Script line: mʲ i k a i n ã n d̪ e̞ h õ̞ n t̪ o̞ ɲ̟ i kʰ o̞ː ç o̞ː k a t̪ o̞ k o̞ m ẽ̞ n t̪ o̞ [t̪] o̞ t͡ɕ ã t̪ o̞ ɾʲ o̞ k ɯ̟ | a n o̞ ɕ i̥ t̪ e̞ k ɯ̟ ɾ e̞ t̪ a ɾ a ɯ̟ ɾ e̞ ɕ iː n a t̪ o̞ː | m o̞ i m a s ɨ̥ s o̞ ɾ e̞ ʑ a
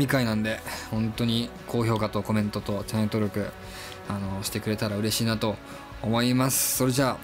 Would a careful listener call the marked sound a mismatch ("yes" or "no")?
no